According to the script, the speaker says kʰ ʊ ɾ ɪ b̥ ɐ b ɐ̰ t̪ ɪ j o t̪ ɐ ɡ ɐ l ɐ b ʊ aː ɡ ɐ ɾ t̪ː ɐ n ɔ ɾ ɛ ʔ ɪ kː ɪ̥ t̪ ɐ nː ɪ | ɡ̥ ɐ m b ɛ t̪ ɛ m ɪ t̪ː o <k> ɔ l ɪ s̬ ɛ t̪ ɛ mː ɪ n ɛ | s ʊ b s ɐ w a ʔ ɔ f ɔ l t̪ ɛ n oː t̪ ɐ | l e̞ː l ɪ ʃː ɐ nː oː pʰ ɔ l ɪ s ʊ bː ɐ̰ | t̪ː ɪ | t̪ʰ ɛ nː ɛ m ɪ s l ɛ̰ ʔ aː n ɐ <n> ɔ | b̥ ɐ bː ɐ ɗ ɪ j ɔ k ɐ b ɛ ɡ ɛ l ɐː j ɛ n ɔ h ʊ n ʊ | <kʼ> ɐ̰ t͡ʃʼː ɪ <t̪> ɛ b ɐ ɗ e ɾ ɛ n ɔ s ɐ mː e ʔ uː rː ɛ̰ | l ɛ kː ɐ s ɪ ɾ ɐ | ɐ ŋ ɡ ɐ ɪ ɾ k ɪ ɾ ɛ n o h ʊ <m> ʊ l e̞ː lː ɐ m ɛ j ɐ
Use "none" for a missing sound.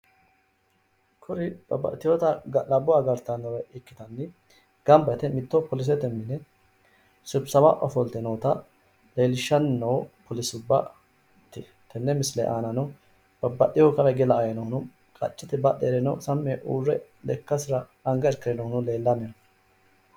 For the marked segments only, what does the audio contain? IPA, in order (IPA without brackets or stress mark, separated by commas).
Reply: p, n, kʼ, t̪, n